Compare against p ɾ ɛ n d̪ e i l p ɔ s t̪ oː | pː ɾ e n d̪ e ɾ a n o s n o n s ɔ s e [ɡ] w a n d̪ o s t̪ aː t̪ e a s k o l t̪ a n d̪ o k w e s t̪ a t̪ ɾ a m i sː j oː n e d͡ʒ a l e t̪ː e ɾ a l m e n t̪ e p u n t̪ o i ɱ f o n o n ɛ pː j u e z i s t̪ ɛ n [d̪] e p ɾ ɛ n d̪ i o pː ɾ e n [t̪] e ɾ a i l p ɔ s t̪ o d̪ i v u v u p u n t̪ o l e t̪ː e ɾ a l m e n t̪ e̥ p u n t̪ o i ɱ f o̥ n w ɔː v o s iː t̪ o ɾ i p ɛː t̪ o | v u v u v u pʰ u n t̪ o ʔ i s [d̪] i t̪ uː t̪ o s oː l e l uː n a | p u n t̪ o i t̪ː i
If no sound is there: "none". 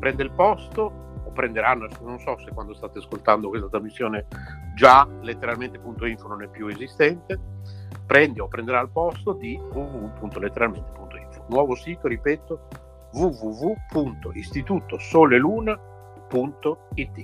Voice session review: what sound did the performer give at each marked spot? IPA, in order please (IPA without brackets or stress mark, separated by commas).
k, t̪, d̪, t̪